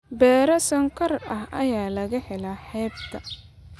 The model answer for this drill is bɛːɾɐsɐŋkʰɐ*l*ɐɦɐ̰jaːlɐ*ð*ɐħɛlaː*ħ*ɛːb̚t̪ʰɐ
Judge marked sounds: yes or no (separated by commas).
no, no, yes